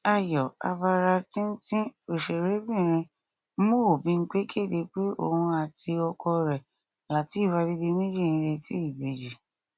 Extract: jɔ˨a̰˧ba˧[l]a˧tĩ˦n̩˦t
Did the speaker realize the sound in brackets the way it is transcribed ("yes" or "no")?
no